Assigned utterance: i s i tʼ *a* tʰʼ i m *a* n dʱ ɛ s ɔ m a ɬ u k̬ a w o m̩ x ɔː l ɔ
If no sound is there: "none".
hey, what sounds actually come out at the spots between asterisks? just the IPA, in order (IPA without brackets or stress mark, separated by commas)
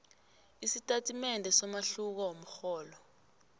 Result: a, ɛ